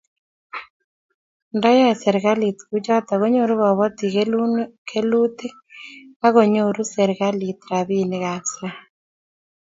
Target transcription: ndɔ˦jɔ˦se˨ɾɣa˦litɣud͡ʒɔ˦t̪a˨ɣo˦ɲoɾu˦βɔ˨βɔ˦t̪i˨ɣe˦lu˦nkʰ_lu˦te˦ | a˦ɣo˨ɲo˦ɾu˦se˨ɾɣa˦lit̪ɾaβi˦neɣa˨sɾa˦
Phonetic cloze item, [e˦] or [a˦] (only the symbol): e˦